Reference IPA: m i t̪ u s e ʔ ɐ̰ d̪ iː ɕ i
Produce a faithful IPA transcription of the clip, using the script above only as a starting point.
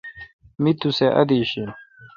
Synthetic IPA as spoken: m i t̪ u s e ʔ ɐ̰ d̪ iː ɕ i